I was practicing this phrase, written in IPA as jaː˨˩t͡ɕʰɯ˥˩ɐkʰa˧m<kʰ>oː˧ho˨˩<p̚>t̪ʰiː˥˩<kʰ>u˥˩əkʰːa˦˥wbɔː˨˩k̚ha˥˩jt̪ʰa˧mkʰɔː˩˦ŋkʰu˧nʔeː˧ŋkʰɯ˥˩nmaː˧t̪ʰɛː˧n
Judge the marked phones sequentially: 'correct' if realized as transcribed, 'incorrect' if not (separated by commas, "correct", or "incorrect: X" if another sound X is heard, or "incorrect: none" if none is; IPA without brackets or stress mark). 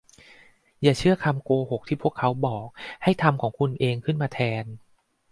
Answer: incorrect: k, incorrect: k̚, incorrect: pʰ